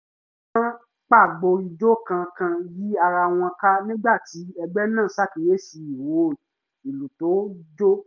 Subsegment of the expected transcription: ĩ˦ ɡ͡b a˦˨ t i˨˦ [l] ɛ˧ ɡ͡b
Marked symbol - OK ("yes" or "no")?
no